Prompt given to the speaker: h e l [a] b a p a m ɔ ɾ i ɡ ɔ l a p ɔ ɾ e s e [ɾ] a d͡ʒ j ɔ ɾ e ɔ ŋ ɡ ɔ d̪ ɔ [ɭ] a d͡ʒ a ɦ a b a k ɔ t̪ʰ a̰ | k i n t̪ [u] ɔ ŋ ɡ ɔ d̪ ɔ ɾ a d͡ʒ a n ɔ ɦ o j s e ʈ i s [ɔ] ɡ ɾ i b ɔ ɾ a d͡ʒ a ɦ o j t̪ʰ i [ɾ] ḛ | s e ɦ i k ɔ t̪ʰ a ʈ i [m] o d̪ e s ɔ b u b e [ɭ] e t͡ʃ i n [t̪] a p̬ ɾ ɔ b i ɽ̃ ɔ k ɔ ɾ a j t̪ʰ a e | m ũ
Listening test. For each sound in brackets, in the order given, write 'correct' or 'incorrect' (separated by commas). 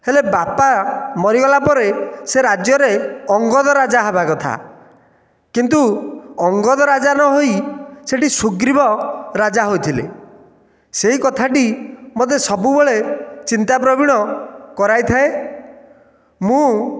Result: incorrect, correct, incorrect, correct, incorrect, incorrect, correct, correct, correct